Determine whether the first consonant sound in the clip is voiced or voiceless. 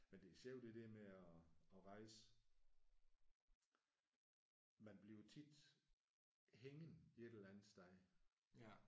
voiced